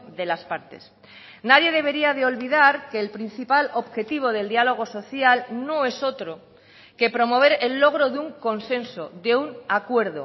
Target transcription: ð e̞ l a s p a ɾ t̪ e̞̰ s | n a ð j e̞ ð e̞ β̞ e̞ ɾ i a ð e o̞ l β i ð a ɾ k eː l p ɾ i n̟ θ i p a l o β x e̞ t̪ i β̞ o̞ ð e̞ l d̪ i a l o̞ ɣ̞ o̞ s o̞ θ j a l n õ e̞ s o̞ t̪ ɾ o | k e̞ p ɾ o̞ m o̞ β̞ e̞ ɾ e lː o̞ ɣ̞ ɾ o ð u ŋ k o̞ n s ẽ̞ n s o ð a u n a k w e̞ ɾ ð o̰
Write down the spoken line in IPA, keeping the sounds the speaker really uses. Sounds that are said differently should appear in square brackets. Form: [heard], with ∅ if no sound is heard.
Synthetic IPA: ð e̞ l a s p a ɾ t̪ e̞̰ s | n a ð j e̞ ð e̞ β̞ e̞ ɾ i a ð e o̞ l β i ð a ɾ k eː l p ɾ i n̟ θ i p a l o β x e̞ t̪ i β̞ o̞ ð e̞ l d̪ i a l o̞ ɣ̞ o̞ s o̞ θ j a l n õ e̞ s o̞ t̪ ɾ o | k e̞ p ɾ o̞ m o̞ β̞ e̞ ɾ e lː o̞ ɣ̞ ɾ o ð u ŋ k o̞ n s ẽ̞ n s o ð [e] u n a k w e̞ ɾ ð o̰